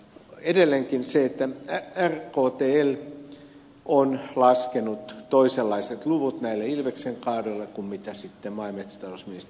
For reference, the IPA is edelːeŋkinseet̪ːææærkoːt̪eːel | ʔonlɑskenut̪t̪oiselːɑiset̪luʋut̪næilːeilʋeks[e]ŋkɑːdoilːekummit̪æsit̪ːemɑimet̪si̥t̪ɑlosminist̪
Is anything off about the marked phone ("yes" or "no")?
no